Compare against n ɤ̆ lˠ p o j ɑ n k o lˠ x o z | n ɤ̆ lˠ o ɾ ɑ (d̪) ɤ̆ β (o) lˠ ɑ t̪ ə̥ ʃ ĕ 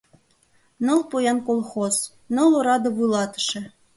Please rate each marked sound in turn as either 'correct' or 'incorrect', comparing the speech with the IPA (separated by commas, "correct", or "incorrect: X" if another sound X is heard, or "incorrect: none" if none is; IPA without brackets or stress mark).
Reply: correct, incorrect: u